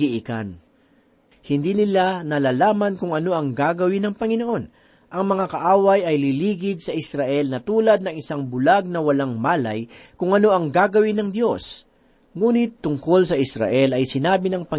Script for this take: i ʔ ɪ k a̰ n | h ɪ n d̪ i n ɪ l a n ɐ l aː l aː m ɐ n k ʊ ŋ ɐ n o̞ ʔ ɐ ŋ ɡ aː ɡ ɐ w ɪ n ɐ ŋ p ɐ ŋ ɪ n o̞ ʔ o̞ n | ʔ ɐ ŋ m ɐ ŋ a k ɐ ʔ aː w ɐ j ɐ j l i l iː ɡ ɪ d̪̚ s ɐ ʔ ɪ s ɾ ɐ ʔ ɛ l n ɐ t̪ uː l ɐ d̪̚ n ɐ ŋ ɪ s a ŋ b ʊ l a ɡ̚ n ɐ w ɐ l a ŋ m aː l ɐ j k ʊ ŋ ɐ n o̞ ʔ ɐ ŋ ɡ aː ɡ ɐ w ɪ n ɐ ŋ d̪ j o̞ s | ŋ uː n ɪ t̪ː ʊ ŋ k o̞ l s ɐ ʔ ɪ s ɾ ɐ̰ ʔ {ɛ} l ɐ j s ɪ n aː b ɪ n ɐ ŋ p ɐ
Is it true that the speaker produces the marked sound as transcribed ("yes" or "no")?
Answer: yes